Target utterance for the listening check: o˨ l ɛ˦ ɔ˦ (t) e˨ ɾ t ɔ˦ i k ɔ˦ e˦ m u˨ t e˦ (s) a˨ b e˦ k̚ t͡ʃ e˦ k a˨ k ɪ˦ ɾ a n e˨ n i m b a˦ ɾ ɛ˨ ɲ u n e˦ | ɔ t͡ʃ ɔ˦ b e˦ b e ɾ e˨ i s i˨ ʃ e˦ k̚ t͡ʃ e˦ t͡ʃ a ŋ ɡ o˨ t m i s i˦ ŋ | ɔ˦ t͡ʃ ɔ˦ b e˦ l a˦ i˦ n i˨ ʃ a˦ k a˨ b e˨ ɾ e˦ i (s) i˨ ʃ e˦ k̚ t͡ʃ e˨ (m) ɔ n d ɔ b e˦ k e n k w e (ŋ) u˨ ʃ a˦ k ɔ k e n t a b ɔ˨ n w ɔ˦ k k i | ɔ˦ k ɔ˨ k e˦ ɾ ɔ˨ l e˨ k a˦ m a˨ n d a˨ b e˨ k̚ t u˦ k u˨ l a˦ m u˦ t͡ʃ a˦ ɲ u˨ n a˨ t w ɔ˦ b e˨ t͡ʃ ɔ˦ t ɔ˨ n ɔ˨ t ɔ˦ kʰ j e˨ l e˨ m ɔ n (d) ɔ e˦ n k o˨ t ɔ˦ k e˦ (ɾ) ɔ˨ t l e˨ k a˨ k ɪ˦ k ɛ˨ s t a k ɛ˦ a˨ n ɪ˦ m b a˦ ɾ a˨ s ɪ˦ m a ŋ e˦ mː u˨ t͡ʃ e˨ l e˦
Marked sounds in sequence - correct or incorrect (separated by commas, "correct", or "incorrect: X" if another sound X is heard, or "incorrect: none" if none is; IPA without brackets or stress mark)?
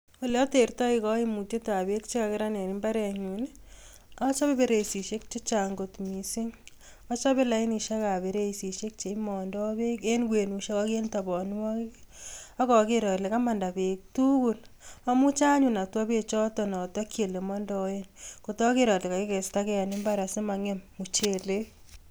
correct, incorrect: t, correct, correct, incorrect: n, correct, correct